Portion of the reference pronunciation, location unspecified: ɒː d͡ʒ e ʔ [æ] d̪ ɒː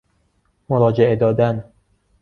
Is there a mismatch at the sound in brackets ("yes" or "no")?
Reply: yes